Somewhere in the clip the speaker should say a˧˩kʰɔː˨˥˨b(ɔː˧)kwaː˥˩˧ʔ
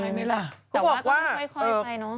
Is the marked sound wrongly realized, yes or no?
yes